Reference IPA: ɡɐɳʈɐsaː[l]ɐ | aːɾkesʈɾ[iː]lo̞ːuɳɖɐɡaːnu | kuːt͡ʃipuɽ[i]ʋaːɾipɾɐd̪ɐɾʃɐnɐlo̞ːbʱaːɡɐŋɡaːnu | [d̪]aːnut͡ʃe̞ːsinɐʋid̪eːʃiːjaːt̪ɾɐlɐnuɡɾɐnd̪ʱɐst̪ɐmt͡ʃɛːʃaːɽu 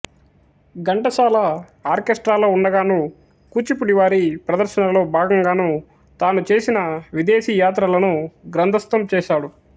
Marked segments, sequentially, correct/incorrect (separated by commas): correct, incorrect, correct, incorrect